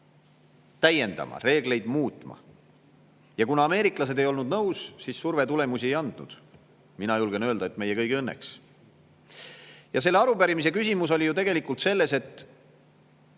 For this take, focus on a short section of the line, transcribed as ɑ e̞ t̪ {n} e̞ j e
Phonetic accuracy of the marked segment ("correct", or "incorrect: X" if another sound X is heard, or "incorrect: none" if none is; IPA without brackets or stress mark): incorrect: m